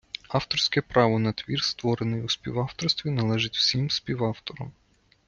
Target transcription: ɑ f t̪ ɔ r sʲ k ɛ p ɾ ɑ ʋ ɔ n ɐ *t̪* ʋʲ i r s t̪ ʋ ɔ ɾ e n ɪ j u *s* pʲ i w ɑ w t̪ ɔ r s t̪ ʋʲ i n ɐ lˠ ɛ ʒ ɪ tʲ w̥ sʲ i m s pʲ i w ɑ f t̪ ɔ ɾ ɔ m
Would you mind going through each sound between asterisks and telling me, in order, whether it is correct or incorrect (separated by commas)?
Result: correct, correct